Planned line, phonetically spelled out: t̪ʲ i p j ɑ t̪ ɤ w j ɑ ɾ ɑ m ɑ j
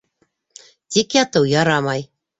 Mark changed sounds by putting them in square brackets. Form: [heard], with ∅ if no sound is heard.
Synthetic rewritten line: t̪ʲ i [k] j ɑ t̪ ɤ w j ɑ ɾ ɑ m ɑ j